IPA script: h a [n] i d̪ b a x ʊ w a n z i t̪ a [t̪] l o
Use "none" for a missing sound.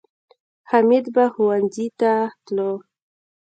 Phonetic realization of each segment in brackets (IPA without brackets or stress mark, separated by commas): m, t̪